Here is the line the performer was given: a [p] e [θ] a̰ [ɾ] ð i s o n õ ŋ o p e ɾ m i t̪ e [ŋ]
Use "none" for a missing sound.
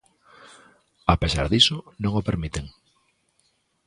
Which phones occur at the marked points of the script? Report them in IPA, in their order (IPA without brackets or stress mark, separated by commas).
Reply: p, s, ɾ, ŋ